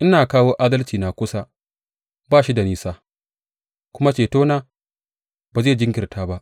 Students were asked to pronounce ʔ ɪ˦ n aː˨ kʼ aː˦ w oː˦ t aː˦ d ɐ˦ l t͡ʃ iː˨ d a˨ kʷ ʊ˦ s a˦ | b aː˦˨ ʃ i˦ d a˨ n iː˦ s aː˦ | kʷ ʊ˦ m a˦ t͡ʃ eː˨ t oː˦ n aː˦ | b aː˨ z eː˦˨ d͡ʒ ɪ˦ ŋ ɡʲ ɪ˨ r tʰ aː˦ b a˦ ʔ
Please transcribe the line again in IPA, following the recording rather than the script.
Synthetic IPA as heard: ʔ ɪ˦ n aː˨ k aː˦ w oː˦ ʔ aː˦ d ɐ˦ l t͡ʃ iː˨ n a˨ kʷ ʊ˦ s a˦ | b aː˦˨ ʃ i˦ d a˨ n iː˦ s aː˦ | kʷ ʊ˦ m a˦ t͡ʃ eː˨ t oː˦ n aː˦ | b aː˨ z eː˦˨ d͡ʒ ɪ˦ ŋ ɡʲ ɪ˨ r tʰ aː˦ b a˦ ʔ